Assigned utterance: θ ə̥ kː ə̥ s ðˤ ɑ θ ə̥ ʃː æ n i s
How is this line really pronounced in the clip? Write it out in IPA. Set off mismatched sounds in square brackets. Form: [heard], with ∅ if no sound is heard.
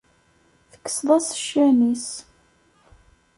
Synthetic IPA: θ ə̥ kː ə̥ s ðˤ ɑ [s] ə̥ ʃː æ n i s